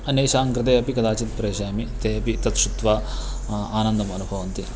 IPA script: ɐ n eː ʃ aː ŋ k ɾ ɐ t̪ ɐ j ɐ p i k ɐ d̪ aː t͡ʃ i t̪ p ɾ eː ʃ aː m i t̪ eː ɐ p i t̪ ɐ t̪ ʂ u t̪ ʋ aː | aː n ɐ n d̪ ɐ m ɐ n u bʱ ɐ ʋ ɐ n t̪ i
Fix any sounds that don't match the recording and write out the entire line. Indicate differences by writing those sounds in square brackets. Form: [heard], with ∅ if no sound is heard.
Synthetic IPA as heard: ɐ n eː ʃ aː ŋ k ɾ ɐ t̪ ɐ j ɐ p i k ɐ d̪ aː t͡ʃ i t̪ p ɾ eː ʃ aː m i t̪ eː ɐ p i t̪ ɐ t̪ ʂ u t̪ ʋ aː | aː n ɐ n d̪ ɐ m ɐ n u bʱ ɐ ʋ ɐ n t̪ i